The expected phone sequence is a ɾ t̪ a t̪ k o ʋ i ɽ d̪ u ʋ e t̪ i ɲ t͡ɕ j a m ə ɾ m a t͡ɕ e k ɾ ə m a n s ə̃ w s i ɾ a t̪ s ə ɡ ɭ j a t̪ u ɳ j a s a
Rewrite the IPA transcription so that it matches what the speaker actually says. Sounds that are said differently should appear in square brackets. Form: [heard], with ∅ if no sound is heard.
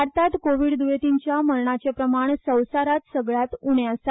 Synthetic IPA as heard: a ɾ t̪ a t̪ k o ʋ i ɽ d̪ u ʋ e t̪ i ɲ t͡ɕ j a m ə ɾ [ɳ] a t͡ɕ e [p] ɾ ə m a [ɳ] s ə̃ w s [a] ɾ a t̪ s ə ɡ ɭ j a t̪ u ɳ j a s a